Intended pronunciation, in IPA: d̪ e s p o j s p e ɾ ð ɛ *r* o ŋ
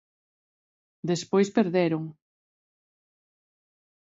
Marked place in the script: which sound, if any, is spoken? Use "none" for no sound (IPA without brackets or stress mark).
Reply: ɾ